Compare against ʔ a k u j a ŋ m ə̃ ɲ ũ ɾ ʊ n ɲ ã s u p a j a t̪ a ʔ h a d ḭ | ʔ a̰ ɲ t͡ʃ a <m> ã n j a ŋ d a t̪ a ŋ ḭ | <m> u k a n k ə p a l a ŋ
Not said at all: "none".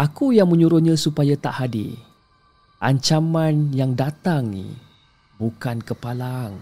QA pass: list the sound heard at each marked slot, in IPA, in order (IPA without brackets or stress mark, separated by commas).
m, b